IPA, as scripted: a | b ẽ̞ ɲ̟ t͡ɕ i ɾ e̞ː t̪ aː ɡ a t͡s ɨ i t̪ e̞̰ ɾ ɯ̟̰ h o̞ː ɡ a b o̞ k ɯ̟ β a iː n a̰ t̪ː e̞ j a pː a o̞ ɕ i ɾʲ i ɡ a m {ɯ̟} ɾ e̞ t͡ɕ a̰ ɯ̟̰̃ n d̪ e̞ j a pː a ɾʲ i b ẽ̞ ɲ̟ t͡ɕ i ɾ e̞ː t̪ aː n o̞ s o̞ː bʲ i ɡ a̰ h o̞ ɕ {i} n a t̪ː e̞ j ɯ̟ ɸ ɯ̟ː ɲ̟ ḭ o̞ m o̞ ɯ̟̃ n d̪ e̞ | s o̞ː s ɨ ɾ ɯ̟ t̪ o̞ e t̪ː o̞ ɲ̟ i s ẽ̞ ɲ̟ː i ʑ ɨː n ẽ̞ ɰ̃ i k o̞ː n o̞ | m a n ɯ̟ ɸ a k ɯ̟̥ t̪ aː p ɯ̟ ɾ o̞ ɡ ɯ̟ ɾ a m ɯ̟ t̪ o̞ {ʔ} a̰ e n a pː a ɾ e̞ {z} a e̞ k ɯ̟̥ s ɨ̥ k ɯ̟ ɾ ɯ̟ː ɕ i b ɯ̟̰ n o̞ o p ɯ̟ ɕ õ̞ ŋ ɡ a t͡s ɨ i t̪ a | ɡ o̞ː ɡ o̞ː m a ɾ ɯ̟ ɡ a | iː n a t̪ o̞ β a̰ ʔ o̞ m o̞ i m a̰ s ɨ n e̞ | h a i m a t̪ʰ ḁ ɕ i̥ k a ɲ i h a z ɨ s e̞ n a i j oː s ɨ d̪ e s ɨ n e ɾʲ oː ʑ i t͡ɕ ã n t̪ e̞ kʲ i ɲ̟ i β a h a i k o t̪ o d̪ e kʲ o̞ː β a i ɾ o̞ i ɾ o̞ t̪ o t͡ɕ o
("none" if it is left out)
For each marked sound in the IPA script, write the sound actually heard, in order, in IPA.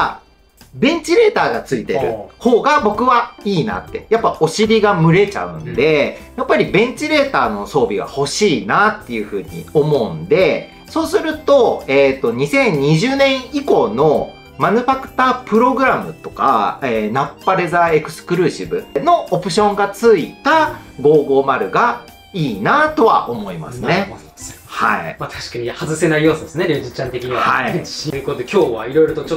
ɯ̟, iː, k, z

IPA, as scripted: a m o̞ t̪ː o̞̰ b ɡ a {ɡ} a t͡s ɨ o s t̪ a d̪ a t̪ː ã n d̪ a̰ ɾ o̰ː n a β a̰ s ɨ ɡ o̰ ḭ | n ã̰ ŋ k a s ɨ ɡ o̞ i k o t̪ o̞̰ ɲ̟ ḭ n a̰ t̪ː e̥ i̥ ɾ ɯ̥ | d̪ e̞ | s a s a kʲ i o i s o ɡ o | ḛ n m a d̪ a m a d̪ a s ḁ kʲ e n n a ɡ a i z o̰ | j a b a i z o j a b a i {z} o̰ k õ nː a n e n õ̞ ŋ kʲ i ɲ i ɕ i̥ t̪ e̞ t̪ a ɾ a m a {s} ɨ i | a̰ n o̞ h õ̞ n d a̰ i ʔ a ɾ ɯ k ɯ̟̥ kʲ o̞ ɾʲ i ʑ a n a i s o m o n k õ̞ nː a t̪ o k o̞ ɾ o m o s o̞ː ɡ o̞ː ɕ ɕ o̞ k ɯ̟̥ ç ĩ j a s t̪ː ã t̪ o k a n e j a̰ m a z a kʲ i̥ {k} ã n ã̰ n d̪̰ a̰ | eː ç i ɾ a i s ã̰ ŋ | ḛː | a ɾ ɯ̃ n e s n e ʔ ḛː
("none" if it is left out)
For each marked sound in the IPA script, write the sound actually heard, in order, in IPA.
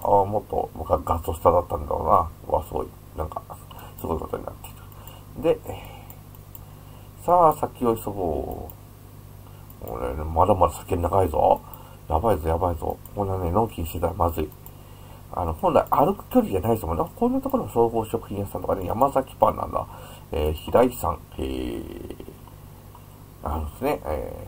ɡ, z, z, p

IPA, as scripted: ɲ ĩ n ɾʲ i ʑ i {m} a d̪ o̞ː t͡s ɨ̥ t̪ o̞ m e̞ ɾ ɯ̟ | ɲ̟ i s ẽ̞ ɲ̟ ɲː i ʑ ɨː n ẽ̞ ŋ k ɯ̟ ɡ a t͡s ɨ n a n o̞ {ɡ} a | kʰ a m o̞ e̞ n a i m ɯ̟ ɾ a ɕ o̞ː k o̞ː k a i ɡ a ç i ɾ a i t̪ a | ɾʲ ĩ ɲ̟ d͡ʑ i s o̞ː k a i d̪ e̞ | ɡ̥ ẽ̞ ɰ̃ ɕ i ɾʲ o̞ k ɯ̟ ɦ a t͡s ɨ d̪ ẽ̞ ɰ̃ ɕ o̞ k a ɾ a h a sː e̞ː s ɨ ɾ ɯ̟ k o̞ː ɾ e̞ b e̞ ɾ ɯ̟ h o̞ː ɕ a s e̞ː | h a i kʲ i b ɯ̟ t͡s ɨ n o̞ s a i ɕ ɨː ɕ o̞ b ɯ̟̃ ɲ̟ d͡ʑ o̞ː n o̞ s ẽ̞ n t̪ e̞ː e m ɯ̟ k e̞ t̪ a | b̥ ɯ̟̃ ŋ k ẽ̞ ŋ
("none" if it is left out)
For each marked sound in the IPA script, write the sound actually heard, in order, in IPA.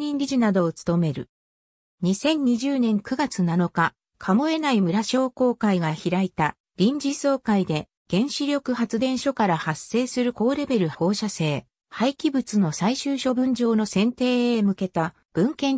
n, k

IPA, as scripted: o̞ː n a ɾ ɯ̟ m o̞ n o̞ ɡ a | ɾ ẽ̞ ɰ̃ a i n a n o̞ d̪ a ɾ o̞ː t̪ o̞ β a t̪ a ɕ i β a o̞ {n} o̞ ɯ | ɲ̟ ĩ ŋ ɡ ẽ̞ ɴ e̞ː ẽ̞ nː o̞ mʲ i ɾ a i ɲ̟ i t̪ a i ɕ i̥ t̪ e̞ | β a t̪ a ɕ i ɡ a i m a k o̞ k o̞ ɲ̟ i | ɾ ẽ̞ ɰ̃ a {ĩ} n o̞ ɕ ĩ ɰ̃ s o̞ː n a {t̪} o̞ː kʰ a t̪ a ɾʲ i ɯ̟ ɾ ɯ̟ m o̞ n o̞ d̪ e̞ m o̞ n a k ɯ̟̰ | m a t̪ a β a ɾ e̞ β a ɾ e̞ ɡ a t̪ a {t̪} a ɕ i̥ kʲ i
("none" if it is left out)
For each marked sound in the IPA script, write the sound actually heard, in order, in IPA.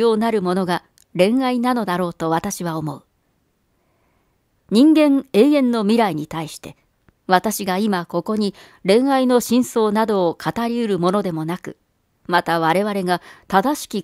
m, i, d̪, d̪

